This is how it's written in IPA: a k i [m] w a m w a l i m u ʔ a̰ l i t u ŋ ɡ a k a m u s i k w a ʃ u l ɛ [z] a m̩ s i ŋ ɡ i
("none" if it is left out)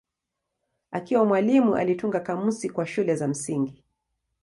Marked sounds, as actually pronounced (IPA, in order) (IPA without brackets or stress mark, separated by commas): none, z